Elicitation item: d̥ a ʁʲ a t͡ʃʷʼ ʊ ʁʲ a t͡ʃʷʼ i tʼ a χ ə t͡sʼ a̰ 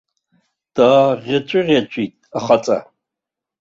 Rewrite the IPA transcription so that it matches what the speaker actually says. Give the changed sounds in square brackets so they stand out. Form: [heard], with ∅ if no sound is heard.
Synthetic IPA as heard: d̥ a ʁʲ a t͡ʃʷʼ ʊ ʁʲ a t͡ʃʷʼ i tʼ a χ [a] t͡sʼ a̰